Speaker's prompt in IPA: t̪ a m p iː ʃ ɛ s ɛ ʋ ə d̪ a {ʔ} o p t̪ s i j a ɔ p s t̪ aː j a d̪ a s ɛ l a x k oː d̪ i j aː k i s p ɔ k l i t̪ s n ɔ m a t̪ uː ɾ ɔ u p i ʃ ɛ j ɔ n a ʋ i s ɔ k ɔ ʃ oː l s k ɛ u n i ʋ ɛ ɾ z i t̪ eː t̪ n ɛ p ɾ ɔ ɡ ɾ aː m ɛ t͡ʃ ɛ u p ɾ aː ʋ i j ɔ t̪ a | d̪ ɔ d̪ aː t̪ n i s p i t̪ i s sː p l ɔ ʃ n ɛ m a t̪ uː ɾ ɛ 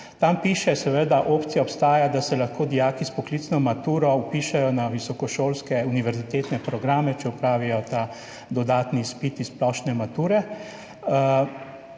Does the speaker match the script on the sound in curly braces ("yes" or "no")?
yes